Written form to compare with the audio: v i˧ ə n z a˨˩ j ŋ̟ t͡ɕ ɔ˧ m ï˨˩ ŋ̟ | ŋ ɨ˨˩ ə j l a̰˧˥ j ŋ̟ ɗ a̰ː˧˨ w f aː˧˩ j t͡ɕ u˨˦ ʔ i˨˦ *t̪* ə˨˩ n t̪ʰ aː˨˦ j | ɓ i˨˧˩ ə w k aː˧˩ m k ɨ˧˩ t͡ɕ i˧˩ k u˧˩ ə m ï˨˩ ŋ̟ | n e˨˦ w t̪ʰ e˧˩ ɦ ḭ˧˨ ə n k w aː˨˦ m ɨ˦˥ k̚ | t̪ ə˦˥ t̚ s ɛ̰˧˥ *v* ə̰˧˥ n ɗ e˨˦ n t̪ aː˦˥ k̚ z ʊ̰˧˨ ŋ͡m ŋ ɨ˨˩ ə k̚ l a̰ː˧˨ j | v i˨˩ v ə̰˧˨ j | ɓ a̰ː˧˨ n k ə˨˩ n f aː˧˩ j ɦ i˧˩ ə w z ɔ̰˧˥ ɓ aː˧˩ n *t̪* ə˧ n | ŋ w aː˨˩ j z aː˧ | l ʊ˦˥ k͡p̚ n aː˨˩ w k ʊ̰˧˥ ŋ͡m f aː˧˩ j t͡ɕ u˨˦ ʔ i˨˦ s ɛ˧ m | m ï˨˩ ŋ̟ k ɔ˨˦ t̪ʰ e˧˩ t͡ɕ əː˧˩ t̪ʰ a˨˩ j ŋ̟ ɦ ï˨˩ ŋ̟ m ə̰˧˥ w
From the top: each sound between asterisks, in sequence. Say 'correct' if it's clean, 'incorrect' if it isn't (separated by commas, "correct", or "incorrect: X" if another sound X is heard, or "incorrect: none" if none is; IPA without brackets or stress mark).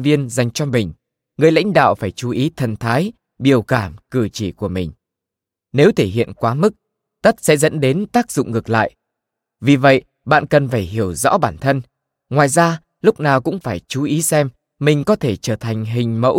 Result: incorrect: t̪ʰ, incorrect: z, incorrect: t̪ʰ